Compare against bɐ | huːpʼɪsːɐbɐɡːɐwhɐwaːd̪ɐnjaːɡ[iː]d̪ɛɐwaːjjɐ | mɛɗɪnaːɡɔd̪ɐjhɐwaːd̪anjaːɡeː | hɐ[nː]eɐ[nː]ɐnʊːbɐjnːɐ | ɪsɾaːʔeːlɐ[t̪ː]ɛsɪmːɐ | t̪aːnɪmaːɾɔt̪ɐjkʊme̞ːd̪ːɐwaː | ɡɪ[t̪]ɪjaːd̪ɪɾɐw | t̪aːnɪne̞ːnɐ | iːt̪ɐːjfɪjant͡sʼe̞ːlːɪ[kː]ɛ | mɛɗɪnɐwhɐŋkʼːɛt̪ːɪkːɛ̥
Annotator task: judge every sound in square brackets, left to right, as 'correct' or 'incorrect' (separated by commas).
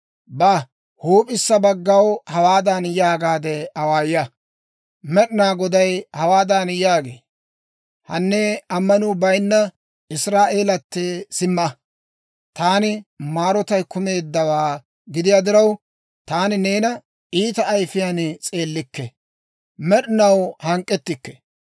incorrect, correct, incorrect, correct, incorrect, correct